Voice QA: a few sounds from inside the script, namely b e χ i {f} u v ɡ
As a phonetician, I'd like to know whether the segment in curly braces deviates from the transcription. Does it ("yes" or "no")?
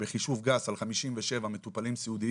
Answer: yes